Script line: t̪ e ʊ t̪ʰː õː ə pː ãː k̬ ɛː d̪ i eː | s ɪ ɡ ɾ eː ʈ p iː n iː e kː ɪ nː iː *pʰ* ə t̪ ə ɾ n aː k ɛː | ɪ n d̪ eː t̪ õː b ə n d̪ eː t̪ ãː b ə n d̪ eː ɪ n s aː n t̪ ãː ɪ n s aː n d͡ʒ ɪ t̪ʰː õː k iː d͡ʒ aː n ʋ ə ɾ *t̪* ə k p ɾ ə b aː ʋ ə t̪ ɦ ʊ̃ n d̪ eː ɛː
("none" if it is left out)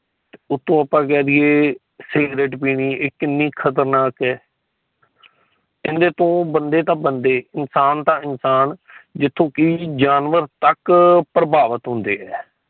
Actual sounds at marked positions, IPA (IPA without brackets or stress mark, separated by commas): kʰ, t̪